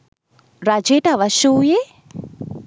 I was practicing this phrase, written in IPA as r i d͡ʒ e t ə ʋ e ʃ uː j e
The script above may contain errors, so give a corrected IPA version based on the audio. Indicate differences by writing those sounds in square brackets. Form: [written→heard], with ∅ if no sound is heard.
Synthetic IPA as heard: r [i→a] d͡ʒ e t [ə→a] ʋ [e→a] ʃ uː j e